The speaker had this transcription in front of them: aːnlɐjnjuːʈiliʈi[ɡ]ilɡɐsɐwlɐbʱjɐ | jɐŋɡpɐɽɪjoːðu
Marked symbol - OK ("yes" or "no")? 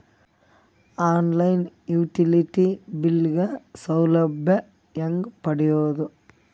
no